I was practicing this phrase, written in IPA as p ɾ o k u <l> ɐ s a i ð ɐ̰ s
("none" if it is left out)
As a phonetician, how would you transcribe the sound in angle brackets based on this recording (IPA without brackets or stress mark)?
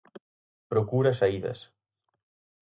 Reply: ɾ